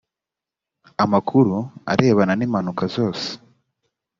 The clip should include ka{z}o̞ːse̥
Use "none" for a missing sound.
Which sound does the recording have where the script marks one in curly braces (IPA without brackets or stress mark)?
z